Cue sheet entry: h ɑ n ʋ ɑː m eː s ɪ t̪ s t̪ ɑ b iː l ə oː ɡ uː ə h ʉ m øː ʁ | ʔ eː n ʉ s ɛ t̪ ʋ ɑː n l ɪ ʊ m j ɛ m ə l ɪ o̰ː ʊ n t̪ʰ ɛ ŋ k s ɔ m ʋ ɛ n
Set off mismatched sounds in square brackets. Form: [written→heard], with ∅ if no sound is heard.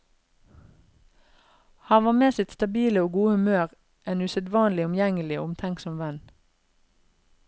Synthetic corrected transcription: h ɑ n ʋ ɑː m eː s ɪ t̪ s t̪ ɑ b iː l ə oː ɡ uː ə h ʉ m øː ʁ | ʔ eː n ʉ s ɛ [t̪→d̪] ʋ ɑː n l ɪ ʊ m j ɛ [m→ŋ] ə l ɪ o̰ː ʊ [n→m] t̪ʰ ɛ ŋ k s ɔ m ʋ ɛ n